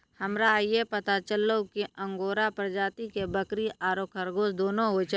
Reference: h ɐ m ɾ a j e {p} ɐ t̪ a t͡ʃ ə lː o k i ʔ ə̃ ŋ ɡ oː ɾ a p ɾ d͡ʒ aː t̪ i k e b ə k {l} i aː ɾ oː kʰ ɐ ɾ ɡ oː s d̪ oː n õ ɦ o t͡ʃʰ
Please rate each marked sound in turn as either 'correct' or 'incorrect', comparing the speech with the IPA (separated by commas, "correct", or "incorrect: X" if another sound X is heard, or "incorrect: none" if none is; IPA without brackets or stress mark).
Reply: correct, incorrect: ɾ